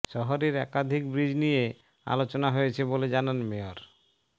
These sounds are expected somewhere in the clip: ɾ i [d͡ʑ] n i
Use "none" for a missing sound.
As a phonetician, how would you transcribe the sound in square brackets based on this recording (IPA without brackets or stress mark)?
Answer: d͡ʑ